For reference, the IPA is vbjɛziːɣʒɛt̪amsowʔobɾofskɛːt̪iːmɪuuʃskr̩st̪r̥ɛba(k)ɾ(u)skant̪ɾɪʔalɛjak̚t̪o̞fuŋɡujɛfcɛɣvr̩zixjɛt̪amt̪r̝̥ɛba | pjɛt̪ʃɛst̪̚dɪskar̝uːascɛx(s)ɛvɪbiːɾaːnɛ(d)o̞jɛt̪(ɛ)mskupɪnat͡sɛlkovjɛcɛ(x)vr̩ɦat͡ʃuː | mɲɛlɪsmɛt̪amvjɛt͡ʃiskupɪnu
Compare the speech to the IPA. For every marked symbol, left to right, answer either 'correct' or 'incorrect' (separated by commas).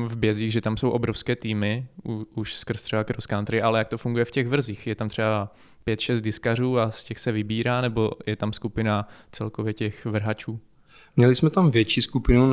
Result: correct, incorrect, correct, incorrect, incorrect, correct